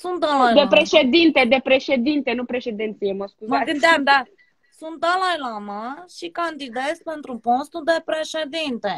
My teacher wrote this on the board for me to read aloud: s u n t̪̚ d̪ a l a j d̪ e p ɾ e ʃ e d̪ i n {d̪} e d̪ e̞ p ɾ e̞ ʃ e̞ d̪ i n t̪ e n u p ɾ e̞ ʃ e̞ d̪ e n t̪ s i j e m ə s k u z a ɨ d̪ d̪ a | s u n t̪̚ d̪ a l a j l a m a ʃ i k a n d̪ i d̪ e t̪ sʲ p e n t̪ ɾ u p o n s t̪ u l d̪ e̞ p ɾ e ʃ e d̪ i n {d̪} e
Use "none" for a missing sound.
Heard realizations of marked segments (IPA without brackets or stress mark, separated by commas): t̪, t̪